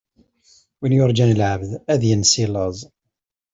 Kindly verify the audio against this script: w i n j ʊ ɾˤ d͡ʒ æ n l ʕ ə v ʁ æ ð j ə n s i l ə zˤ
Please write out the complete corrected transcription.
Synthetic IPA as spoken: w i n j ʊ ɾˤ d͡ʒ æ n l ʕ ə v ð æ ð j ə n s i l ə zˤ